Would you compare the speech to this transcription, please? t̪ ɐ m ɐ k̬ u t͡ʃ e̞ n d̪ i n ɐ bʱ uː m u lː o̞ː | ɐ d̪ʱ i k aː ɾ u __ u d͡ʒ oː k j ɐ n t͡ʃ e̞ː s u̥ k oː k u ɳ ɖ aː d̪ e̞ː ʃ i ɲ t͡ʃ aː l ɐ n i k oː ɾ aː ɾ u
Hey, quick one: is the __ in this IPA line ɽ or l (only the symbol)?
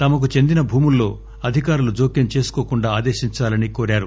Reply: l